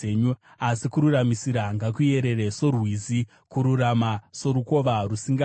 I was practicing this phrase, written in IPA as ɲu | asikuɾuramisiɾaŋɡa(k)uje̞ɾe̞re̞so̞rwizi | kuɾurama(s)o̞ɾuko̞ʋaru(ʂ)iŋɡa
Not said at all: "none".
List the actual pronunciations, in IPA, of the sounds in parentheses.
k, s, s

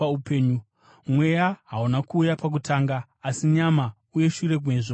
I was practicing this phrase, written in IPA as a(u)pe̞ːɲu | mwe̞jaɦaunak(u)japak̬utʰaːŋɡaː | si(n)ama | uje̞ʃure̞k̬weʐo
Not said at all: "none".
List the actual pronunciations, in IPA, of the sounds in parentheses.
u, uː, ɲ

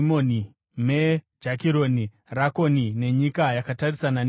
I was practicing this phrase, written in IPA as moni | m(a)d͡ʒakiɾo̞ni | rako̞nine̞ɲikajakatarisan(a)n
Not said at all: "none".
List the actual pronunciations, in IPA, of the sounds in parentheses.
e, a

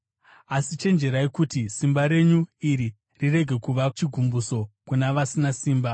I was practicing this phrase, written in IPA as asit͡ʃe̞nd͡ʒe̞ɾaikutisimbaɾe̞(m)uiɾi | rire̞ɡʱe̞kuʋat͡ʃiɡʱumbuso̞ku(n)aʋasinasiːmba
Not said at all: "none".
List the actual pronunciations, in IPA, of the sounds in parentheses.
ɲ, n

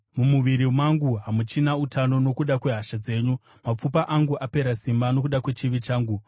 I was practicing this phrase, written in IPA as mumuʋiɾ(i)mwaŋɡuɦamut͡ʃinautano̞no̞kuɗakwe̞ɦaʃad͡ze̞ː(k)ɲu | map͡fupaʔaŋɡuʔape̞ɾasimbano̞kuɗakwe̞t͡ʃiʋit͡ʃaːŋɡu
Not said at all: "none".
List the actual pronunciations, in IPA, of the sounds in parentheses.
i, none

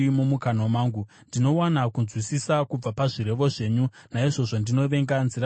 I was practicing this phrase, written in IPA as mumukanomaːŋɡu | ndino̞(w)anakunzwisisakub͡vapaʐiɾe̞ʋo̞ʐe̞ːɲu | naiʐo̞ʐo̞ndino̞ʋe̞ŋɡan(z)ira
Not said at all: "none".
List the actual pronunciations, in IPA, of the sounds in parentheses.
w, z

